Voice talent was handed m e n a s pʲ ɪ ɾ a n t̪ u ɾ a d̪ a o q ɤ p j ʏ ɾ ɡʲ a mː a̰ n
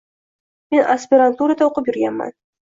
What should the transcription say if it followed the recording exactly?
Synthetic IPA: m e n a s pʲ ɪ ɾ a n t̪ u ɾ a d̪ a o q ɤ p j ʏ ɾ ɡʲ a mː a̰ n